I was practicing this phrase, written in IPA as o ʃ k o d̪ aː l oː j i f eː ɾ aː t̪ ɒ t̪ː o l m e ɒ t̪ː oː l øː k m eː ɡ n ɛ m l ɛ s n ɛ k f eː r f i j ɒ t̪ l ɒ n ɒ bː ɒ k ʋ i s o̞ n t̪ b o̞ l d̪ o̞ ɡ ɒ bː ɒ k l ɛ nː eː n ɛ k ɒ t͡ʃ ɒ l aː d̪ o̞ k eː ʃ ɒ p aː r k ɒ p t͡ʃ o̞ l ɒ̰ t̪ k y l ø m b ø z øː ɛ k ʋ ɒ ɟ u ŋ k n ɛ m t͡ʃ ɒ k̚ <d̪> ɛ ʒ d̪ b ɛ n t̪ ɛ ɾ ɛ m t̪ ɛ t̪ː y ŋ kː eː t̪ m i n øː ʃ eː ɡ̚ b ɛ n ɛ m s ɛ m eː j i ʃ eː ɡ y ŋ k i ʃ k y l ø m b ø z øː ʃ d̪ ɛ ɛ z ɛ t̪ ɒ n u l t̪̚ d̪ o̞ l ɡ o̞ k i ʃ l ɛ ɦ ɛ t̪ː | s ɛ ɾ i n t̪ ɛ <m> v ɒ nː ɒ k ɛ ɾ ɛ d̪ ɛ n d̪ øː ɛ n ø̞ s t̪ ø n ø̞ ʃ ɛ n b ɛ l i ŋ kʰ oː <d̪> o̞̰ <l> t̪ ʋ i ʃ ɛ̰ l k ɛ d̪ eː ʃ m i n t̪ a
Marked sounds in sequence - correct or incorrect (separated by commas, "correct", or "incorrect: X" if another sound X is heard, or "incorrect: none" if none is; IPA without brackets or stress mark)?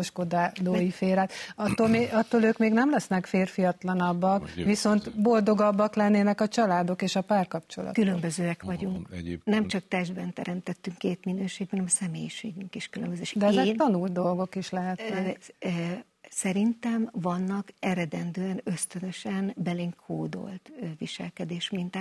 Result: incorrect: t̪, correct, correct, correct